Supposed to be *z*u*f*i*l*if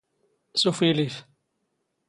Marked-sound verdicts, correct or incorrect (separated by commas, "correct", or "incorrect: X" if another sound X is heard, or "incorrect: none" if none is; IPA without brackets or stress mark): incorrect: s, correct, correct